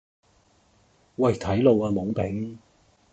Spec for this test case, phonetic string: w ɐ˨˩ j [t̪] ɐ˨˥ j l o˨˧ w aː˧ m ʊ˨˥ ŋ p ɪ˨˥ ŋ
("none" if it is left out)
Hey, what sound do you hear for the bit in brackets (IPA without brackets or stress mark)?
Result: t̪ʰ